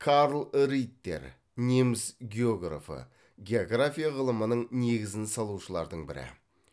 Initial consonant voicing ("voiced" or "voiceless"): voiceless